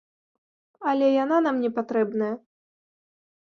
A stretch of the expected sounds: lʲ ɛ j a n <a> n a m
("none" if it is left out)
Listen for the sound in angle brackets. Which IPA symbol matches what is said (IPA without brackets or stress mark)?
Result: a